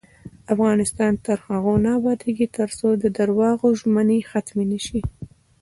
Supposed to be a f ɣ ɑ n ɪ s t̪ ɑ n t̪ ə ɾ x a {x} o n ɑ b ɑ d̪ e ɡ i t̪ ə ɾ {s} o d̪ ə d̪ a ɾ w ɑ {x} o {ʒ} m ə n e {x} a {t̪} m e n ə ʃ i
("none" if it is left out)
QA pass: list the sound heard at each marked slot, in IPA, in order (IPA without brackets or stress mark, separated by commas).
ɣ, s, ɣ, ʒ, x, t̪